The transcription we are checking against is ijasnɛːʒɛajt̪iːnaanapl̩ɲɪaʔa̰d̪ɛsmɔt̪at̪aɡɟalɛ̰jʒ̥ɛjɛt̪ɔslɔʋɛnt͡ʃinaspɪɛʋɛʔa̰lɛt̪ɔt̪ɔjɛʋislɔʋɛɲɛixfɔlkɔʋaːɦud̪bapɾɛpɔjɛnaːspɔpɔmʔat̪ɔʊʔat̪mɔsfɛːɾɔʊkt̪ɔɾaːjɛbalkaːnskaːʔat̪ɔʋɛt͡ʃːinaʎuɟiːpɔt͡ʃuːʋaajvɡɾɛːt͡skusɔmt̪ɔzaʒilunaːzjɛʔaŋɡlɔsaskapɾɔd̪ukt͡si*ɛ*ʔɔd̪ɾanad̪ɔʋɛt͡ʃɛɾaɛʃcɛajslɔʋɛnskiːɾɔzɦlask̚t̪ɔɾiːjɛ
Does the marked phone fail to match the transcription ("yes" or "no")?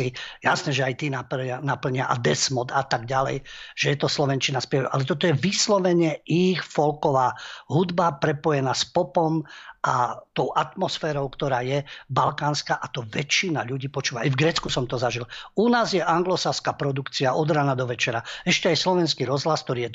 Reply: yes